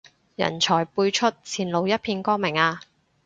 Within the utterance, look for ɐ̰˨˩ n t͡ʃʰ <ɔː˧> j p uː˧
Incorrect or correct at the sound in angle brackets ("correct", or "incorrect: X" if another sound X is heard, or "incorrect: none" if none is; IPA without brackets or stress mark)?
incorrect: ɔː˨˩